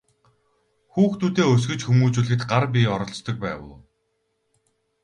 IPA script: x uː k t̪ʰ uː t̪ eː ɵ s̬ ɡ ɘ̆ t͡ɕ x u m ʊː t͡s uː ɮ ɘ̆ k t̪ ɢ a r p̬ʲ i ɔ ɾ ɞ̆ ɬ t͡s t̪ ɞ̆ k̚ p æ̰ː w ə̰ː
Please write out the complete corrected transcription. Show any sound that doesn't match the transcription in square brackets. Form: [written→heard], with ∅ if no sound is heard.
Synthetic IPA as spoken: x uː [k→x] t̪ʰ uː t̪ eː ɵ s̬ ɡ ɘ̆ t͡ɕ x u m [ʊː→uː] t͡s uː ɮ ɘ̆ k t̪ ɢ a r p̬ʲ i ɔ ɾ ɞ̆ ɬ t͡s t̪ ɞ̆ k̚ p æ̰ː w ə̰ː